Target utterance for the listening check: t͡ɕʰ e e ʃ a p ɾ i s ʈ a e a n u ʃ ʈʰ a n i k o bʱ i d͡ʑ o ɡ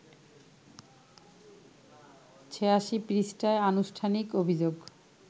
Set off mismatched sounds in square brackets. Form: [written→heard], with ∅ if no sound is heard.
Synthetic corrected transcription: t͡ɕʰ e [e→a] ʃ [a→i] p ɾ i s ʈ a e a n u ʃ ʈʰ a n i k o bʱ i d͡ʑ o ɡ